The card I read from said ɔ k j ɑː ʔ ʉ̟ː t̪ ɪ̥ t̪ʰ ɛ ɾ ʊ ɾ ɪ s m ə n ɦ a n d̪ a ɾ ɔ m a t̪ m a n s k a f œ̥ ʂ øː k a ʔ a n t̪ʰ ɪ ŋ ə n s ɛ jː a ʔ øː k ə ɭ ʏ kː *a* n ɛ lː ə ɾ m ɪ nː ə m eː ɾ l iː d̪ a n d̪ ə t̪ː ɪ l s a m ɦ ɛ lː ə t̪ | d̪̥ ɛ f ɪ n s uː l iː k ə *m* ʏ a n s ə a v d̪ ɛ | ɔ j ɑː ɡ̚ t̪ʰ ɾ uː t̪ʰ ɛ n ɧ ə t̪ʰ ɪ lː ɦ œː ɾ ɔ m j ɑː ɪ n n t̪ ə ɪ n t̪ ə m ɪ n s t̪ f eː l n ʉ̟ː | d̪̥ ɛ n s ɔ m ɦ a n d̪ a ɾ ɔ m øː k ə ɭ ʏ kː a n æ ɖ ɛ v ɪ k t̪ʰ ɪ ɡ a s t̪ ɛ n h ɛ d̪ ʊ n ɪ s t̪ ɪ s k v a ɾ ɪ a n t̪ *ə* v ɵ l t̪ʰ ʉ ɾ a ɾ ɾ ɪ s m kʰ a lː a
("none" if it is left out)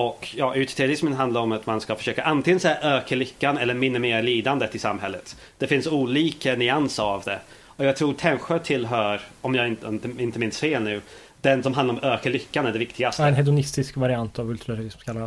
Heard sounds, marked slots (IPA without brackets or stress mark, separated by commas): a, n, a